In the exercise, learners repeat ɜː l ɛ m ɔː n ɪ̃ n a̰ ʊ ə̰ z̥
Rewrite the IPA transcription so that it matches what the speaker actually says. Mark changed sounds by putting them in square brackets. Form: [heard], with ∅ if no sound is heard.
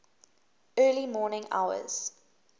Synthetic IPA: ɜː l [i] m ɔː n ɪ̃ [ŋ] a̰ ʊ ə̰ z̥